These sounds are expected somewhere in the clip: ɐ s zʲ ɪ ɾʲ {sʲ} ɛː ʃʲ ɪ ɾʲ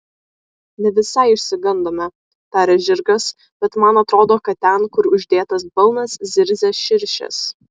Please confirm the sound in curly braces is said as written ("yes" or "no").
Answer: no